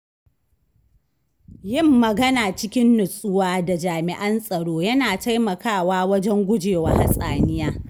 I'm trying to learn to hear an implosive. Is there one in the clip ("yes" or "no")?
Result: no